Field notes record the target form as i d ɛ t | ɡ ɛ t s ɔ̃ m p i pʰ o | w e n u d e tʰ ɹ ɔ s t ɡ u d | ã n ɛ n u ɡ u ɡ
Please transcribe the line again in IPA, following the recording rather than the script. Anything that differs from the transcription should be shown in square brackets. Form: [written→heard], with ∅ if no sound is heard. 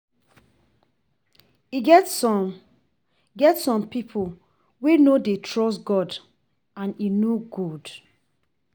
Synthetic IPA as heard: i [d→ɡ] ɛ t | ɡ ɛ t s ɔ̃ m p i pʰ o | w e n [u→o] d e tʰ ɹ ɔ s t ɡ [u→ɔ] d | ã n [ɛ→i] n [u→o] ɡ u [ɡ→d]